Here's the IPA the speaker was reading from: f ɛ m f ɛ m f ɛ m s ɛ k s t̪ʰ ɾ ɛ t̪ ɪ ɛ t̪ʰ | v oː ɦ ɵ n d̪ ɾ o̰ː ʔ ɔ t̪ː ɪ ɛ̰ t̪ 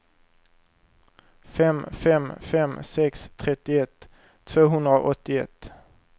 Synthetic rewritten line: f ɛ m f ɛ m f ɛ m s ɛ k s t̪ʰ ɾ ɛ t̪ ɪ ɛ t̪ʰ | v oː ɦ ɵ n d̪ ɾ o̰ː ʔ ɔ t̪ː ɪ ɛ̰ t̪